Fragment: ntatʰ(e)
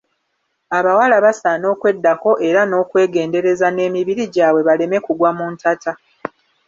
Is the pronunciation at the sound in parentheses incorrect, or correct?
incorrect